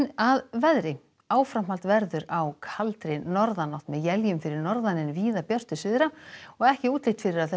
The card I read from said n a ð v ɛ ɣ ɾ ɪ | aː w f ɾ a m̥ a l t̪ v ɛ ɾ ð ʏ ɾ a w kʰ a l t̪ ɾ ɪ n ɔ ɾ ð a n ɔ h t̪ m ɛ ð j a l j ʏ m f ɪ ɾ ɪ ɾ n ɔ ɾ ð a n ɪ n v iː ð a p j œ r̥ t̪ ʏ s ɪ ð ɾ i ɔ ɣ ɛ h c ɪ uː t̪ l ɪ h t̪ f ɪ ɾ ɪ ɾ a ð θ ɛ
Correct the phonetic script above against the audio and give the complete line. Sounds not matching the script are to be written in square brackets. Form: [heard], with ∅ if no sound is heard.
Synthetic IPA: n a ð v ɛ [ð] ɾ ɪ | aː w f ɾ a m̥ a l t̪ v ɛ ɾ ð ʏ ɾ a w kʰ a l t̪ ɾ ɪ n ɔ ɾ ð a n ɔ h t̪ m ɛ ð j [ɛ] l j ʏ m f ɪ ɾ ɪ ɾ n ɔ ɾ ð a n ɪ n v iː ð a p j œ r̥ t̪ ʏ s ɪ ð ɾ [a] ɔ ɣ ɛ h c ɪ uː t̪ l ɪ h t̪ f ɪ ɾ ɪ ɾ a ð θ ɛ